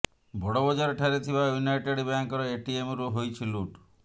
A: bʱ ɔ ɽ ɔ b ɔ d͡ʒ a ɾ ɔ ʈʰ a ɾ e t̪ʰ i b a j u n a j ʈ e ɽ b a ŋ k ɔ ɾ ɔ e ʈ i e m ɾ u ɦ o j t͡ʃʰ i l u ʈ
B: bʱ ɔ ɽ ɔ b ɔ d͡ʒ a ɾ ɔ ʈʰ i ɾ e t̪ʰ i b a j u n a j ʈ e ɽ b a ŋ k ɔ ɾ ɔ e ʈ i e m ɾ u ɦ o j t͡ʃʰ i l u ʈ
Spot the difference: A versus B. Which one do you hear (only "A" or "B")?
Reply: A